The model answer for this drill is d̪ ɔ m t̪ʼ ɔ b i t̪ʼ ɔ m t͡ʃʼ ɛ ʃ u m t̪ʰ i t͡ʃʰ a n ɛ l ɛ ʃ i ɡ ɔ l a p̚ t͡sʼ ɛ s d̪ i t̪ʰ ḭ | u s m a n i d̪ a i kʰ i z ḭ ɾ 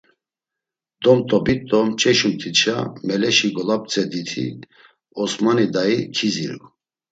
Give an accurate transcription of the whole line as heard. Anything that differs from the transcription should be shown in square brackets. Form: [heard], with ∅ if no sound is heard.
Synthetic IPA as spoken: d̪ ɔ m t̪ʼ ɔ b i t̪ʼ ɔ m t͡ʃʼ ɛ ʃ u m t̪ʰ i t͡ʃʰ a [m] ɛ l ɛ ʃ i ɡ ɔ l a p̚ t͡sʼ ɛ [∅] d̪ i t̪ʰ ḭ | [ɔ] s m a n i d̪ a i kʰ i z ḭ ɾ